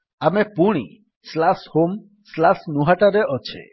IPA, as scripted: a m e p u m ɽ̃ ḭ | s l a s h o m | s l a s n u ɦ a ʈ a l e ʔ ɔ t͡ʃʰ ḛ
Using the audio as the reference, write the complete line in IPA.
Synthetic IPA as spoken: a m e p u ɽ̃ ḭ | s l a s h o m | s l a s n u ɦ a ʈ a ɾ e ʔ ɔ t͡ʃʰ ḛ